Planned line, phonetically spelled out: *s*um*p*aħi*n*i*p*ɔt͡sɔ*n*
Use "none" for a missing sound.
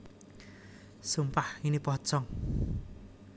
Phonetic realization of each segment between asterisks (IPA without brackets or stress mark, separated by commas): s, p, n, p, ŋ